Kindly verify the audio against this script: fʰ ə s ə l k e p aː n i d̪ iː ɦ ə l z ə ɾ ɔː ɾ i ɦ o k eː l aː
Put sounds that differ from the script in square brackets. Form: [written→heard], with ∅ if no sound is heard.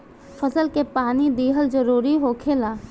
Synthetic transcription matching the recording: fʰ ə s ə l k e p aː n i d̪ iː ɦ ə l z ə ɾ [ɔː→uː] ɾ i ɦ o [k→kʰ] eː l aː